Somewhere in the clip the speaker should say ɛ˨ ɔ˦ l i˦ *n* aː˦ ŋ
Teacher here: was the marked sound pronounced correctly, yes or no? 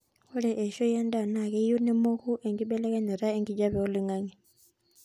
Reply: no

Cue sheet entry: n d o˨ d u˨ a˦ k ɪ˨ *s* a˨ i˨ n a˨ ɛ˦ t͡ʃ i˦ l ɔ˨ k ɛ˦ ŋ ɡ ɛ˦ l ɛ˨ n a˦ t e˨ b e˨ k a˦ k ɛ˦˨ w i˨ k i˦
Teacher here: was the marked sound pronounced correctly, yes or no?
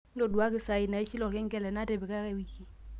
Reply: yes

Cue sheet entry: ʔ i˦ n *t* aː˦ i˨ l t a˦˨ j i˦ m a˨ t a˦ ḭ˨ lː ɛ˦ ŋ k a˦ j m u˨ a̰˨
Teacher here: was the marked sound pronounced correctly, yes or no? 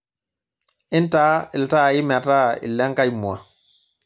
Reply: yes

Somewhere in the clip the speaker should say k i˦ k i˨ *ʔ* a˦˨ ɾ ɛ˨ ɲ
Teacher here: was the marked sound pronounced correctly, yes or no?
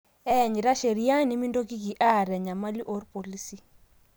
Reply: yes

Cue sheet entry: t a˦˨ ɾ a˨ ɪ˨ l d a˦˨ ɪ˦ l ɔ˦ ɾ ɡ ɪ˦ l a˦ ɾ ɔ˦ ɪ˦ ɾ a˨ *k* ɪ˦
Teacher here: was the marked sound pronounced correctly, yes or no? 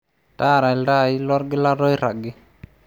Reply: no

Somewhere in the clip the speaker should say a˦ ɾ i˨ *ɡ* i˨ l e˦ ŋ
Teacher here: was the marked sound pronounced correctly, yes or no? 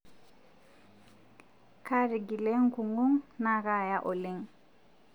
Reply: yes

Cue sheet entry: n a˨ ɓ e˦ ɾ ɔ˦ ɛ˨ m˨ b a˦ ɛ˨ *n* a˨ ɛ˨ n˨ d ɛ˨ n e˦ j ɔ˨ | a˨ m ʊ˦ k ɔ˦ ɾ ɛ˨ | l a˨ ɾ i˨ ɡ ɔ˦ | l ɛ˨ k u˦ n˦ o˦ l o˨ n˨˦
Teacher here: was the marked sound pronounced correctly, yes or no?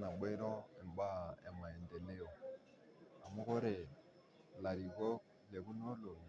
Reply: no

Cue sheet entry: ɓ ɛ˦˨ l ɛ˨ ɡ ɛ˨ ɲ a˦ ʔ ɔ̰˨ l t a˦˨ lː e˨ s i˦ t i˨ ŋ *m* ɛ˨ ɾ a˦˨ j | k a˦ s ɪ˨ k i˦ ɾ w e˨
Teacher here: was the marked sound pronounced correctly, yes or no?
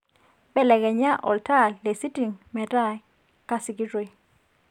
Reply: yes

